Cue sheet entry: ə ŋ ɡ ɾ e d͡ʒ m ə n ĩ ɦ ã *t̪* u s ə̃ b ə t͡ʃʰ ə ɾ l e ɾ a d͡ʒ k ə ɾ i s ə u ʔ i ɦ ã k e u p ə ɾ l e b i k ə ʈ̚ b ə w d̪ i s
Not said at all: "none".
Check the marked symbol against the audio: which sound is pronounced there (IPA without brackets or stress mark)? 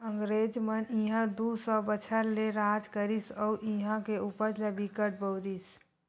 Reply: d̪